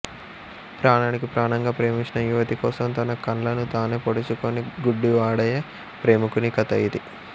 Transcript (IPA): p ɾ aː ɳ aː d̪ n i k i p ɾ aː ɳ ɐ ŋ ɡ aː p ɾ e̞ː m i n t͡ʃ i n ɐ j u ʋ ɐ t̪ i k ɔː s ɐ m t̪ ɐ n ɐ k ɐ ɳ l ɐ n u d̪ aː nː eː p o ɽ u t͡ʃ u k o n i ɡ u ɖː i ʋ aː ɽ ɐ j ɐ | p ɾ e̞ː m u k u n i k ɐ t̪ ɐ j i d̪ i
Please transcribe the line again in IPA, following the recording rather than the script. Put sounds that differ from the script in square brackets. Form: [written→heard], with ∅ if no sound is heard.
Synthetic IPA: p ɾ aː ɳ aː [d̪→∅] n i k i p ɾ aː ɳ ɐ ŋ ɡ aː p ɾ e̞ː m i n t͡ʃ i n ɐ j u ʋ ɐ t̪ i k ɔː s ɐ m t̪ ɐ n ɐ k ɐ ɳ l ɐ n u [d̪→t̪] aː [nː→n] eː p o ɽ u t͡ʃ u k o n i ɡ u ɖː i ʋ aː ɽ ɐ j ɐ | p ɾ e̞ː m u k u n i k ɐ t̪ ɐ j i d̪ i

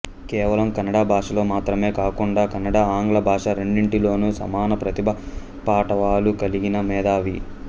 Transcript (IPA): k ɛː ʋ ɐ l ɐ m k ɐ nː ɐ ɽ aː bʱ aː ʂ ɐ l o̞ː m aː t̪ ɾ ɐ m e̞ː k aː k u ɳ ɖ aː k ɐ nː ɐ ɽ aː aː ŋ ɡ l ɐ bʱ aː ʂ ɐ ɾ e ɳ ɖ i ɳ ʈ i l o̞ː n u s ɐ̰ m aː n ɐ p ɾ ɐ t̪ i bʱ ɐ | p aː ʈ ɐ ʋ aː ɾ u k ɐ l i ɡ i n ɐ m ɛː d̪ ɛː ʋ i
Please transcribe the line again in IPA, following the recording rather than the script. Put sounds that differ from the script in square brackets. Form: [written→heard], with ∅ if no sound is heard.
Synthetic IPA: k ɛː ʋ ɐ l ɐ m k ɐ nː ɐ ɽ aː bʱ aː ʂ ɐ l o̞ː m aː t̪ ɾ ɐ m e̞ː k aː k u ɳ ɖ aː k ɐ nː ɐ ɽ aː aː ŋ ɡ l ɐ bʱ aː ʂ ɐ ɾ e ɳ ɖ i ɳ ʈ i l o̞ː n u s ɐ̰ m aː n ɐ p ɾ ɐ t̪ i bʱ ɐ | p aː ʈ ɐ ʋ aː [ɾ→l] u k ɐ l i ɡ i n ɐ m ɛː d̪ [ɛː→aː] ʋ i

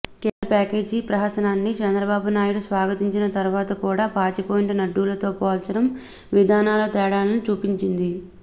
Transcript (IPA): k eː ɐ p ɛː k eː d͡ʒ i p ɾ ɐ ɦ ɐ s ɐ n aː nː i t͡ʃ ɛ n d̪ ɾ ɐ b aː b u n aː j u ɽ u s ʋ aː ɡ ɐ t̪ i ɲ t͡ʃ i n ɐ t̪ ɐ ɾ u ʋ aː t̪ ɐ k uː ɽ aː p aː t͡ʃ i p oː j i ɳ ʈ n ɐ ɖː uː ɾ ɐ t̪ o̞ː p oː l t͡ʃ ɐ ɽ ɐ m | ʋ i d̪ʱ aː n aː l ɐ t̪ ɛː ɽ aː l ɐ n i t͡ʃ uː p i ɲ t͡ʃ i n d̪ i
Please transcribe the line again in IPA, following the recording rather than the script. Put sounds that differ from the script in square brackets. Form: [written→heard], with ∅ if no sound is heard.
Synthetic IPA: k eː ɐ p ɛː k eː d͡ʒ i p ɾ ɐ ɦ ɐ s ɐ n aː nː i t͡ʃ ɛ n d̪ ɾ ɐ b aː b u n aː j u ɽ u s ʋ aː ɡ ɐ t̪ i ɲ t͡ʃ i n ɐ t̪ ɐ ɾ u ʋ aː t̪ ɐ k uː ɽ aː p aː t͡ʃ i p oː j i ɳ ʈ n ɐ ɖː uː [ɾ→l] ɐ t̪ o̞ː p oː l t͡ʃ ɐ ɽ ɐ m | ʋ i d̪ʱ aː n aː l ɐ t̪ ɛː ɽ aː l ɐ n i t͡ʃ uː p i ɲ t͡ʃ i n d̪ i

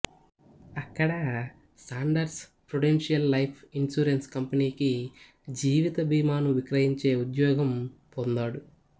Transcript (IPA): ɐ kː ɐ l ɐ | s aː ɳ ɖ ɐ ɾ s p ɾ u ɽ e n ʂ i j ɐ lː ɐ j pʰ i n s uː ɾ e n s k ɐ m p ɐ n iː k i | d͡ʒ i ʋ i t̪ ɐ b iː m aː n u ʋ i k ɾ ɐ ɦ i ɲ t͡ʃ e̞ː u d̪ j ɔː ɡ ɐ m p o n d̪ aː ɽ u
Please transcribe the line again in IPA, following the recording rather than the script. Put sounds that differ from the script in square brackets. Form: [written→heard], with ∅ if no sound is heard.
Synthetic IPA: ɐ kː ɐ [l→ɽ] ɐ | s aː ɳ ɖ ɐ ɾ s p ɾ u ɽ e n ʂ i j ɐ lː ɐ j pʰ i n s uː ɾ e n s k ɐ m p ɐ n iː k i | d͡ʒ [i→iː] ʋ i t̪ ɐ b iː m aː n u ʋ i k ɾ ɐ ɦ i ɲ t͡ʃ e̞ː u d̪ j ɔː ɡ ɐ m p o n d̪ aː ɽ u

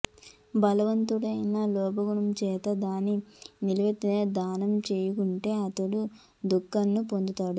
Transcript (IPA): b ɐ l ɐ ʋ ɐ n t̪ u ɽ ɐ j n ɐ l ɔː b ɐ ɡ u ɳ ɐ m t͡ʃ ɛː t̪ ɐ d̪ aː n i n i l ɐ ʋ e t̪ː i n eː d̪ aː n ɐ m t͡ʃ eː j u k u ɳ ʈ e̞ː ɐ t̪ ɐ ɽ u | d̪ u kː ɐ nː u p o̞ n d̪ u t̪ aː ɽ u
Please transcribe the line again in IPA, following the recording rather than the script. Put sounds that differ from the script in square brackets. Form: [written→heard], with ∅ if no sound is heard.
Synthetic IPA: b ɐ l ɐ ʋ ɐ n t̪ u ɽ ɐ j n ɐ l ɔː b ɐ ɡ u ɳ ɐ m t͡ʃ ɛː t̪ ɐ d̪ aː n i n i l ɐ ʋ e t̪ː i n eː d̪ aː n ɐ m t͡ʃ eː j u k u ɳ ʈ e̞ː ɐ t̪ ɐ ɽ u | d̪ u kː ɐ nː u p o̞ n d̪ u t̪ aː ɽ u

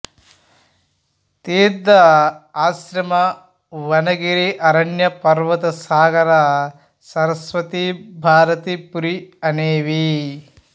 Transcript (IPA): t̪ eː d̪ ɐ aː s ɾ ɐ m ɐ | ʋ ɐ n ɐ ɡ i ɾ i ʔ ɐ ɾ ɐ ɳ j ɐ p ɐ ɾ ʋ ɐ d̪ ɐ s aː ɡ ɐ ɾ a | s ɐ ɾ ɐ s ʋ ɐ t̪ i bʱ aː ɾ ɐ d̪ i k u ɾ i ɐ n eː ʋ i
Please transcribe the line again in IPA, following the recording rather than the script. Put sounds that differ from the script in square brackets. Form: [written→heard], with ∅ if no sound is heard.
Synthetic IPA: t̪ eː d̪ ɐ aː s ɾ ɐ m ɐ | ʋ ɐ n ɐ ɡ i ɾ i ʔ ɐ ɾ ɐ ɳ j ɐ p ɐ ɾ ʋ ɐ [d̪→t̪] ɐ s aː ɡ ɐ ɾ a | s ɐ ɾ ɐ s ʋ ɐ t̪ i bʱ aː ɾ ɐ [d̪→t̪] i [k→p] u ɾ i ɐ n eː ʋ i

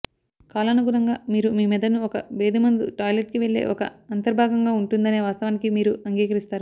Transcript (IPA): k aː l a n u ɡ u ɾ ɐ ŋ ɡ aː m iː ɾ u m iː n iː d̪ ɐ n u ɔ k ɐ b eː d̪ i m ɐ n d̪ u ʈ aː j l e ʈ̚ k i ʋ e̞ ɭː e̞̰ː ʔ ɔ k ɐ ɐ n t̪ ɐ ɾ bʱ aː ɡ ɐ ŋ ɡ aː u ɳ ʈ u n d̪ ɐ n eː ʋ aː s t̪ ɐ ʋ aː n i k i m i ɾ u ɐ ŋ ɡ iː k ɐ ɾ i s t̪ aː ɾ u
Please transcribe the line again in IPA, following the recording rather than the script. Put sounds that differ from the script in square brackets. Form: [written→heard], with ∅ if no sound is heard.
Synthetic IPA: k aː l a n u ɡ u ɾ ɐ ŋ ɡ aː m iː ɾ u m iː [n→m] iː d̪ ɐ n u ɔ k ɐ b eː d̪ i m ɐ n d̪ u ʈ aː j l e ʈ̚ k i ʋ e̞ ɭː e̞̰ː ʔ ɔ k ɐ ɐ n t̪ ɐ ɾ bʱ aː ɡ ɐ ŋ ɡ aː u ɳ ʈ u n d̪ ɐ n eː ʋ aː s t̪ ɐ ʋ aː n i k i m [i→iː] ɾ u ɐ ŋ ɡ iː k ɐ ɾ i s t̪ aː ɾ u

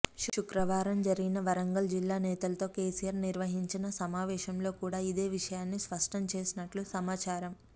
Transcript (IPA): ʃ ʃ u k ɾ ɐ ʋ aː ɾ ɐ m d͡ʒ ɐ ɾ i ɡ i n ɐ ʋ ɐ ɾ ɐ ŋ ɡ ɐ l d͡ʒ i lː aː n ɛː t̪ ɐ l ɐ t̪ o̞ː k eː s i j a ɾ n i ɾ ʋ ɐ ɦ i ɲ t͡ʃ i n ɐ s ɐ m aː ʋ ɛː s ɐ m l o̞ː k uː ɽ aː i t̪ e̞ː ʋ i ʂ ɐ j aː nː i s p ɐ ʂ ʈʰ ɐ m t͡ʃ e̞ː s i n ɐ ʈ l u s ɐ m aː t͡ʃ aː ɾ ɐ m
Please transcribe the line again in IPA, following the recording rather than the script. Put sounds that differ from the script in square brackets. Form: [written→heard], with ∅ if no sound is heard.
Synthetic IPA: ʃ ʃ u k ɾ ɐ ʋ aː ɾ ɐ m d͡ʒ ɐ ɾ i ɡ i n ɐ ʋ ɐ ɾ ɐ ŋ ɡ ɐ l d͡ʒ i lː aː n ɛː t̪ ɐ l ɐ t̪ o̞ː k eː s i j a ɾ n i ɾ ʋ ɐ ɦ i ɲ t͡ʃ i n ɐ s ɐ m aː ʋ ɛː [s→ʃ] ɐ m l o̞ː k uː ɽ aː i [t̪→d̪] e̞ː ʋ i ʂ ɐ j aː nː i s p ɐ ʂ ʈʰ ɐ m t͡ʃ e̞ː s i n ɐ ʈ l u s ɐ m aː t͡ʃ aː ɾ ɐ m

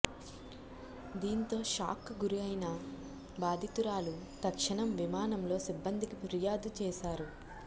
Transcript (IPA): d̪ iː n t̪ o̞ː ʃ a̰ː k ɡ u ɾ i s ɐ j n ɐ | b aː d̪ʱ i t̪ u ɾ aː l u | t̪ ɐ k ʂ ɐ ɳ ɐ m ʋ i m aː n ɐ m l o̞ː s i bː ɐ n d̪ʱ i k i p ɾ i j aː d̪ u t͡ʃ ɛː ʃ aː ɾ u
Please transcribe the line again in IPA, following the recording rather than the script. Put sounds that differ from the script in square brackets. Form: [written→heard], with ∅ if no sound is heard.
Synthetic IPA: d̪ iː n t̪ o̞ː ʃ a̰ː k ɡ u ɾ i [s→∅] ɐ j n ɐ | b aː d̪ʱ i t̪ u ɾ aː l u | t̪ ɐ k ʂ ɐ ɳ ɐ m ʋ i m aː n ɐ m l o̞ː s i bː ɐ n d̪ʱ i k i p ɾ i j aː d̪ u t͡ʃ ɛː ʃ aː ɾ u

